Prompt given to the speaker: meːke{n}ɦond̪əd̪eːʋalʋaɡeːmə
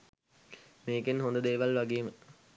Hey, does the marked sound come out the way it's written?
yes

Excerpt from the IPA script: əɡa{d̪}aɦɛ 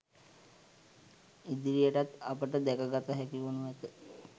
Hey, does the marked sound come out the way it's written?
no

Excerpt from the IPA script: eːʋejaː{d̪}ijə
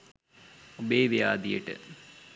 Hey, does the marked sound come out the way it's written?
yes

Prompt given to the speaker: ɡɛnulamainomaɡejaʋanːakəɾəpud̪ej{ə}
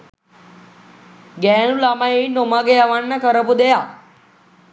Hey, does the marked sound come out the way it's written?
no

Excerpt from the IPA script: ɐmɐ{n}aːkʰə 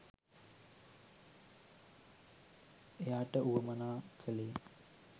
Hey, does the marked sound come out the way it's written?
yes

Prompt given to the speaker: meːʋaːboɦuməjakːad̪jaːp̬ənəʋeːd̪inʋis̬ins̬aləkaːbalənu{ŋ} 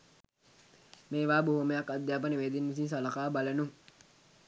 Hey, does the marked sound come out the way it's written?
yes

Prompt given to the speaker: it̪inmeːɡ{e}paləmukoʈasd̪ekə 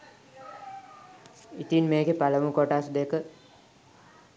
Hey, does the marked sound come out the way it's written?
yes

